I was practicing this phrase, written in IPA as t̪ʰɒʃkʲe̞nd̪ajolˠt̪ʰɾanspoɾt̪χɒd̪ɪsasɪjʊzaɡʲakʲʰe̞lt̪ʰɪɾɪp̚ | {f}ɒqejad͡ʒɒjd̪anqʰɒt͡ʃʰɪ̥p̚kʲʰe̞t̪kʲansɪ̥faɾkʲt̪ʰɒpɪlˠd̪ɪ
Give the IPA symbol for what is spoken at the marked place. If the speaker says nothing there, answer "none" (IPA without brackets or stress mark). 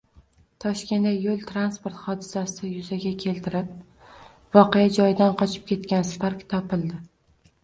v